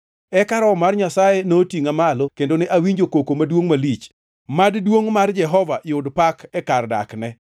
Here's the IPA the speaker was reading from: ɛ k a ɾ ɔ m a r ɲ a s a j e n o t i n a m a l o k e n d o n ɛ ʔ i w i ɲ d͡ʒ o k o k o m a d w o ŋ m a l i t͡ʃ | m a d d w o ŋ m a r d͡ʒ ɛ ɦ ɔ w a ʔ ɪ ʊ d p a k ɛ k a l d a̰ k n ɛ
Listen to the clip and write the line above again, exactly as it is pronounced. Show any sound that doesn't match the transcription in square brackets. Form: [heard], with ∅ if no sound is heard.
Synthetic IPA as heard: ɛ k a ɾ ɔ m a r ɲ a s a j e n o t i [ŋ] a m a l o k e n d o n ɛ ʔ [a] w i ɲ d͡ʒ o k o k o m a d w o ŋ m a l i t͡ʃ | m a d d w o ŋ m a r d͡ʒ ɛ ɦ ɔ [v] a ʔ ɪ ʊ d p a k ɛ k a [r] d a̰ k n ɛ